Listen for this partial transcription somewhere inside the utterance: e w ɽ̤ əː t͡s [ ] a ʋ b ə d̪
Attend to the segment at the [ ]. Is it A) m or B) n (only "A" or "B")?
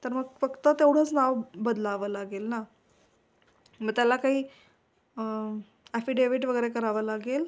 B